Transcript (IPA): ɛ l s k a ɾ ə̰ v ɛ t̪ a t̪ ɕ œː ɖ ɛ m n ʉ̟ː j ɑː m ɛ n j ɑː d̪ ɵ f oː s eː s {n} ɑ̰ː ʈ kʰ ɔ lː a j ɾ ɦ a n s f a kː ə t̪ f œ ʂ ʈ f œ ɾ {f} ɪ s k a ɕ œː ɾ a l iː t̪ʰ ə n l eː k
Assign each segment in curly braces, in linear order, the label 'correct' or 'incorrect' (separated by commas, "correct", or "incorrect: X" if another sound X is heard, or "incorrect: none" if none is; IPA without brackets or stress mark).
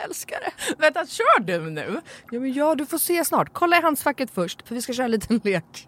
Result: correct, incorrect: v